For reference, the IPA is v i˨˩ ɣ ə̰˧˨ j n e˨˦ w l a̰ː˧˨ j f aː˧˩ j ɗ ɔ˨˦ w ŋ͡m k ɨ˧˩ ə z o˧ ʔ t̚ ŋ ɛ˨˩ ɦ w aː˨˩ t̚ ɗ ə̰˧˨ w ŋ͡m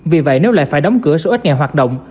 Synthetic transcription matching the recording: v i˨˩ v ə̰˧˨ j n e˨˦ w l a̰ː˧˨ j f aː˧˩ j ɗ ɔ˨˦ w ŋ͡m k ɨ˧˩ ə s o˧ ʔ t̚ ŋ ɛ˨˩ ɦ w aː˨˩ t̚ ɗ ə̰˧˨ w ŋ͡m